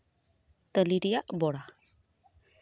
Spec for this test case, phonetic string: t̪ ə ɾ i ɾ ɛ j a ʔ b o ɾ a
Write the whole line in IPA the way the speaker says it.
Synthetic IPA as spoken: t̪ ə l i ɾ i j a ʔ b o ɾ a

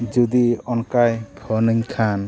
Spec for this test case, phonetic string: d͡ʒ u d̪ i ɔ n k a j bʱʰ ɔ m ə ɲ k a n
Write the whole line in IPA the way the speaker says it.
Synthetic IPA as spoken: d͡ʒ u d̪ i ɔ n k a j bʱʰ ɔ n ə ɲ kʰ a n

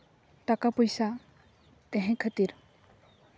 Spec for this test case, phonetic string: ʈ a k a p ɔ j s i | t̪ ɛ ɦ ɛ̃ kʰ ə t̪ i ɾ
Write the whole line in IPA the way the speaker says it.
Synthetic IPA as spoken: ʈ a k a p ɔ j s a | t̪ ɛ ɦ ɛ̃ kʰ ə t̪ i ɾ

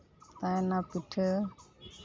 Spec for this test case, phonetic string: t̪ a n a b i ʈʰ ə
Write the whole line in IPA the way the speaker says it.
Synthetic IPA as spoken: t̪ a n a p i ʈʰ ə

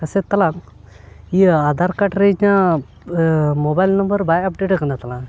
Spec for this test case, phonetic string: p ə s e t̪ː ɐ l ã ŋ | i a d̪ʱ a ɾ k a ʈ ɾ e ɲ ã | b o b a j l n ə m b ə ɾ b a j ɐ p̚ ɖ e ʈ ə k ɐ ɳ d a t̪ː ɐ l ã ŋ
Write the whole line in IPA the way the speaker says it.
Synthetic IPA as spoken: k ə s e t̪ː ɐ l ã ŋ | i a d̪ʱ a ɾ k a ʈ ɾ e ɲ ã | m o b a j l n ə m b ə ɾ b a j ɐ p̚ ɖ e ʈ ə k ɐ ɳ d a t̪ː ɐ l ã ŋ

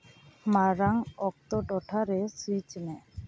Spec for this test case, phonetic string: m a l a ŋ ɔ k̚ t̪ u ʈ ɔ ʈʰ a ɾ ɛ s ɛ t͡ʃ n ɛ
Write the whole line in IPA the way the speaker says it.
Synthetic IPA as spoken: m a ɾ a ŋ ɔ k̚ t̪ ɔ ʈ ɔ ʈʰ a ɾ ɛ s i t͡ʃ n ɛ

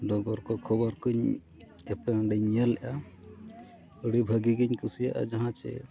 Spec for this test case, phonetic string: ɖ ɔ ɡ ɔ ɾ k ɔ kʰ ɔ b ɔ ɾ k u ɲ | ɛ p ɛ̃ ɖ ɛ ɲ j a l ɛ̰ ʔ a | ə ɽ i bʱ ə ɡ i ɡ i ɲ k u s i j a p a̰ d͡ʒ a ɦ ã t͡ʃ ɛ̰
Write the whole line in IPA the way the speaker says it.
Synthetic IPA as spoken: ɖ ɔ ɡ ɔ ɾ k ɔ kʰ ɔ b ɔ ɾ k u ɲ | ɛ p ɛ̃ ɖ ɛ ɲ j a l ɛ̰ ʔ a | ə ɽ i bʱ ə ɡ i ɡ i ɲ k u s i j a ʔ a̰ d͡ʒ a ɦ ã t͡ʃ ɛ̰

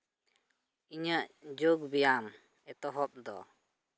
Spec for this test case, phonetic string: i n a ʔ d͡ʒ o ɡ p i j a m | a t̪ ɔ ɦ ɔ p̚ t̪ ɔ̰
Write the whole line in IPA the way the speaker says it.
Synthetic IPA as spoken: i ɲ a ʔ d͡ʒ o ɡ b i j a m | ɛ t̪ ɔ ɦ ɔ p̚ d̪ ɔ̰

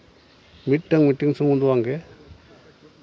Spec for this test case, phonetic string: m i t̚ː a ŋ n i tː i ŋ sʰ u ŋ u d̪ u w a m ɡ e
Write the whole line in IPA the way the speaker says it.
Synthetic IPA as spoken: m i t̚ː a ŋ m i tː i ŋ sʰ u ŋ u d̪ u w a ŋ ɡ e

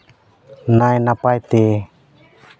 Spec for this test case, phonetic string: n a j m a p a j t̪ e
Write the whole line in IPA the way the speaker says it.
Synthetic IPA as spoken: n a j n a p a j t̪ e

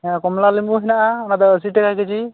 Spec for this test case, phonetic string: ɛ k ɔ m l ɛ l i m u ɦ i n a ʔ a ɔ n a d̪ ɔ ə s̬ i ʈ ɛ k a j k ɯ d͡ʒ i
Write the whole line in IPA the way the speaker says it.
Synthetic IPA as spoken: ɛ k ɔ m l a l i m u ɦ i n a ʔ a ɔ n a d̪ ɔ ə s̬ i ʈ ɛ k a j k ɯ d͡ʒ i

